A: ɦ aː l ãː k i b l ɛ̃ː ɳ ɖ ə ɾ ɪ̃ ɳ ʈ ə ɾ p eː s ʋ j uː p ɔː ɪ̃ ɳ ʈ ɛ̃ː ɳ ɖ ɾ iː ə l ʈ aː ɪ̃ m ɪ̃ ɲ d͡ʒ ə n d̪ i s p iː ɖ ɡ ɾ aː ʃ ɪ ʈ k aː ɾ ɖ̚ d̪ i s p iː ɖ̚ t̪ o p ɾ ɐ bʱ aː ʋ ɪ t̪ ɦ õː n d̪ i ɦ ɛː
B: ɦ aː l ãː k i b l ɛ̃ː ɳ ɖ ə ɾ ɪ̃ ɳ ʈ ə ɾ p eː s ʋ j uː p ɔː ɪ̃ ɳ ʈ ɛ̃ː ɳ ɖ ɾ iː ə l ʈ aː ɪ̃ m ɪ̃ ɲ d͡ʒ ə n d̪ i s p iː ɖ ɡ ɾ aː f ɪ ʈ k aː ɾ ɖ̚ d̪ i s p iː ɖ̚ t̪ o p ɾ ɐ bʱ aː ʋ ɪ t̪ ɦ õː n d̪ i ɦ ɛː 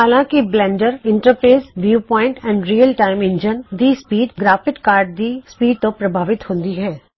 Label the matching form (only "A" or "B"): B